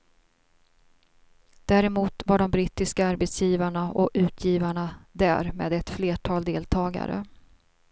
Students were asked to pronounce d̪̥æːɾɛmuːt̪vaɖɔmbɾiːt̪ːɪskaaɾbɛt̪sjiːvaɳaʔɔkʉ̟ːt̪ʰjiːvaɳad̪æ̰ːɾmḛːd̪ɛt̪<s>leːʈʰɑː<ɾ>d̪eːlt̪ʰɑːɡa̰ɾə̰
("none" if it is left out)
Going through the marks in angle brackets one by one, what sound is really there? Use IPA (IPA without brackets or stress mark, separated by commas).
f, l